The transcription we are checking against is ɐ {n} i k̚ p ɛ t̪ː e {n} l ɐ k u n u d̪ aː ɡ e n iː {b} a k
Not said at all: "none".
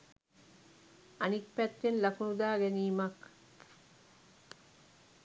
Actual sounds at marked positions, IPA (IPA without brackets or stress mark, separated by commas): n, n, m